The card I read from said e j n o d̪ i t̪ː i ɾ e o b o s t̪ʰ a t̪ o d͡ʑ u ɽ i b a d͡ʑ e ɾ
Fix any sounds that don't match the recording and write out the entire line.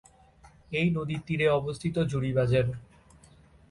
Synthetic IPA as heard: e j n o d̪ i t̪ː i ɾ e ɔ b o s t̪ʰ i t̪ o d͡ʑ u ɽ i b a d͡ʑ e ɾ